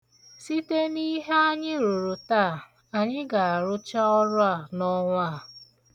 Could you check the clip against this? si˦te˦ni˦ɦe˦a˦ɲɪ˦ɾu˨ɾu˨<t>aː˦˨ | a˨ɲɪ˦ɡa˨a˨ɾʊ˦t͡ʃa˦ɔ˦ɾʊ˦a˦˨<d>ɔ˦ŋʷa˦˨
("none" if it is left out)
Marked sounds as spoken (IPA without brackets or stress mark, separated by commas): t, n